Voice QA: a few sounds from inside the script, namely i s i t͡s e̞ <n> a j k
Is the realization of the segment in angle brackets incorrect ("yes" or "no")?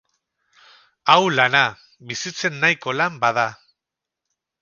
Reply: yes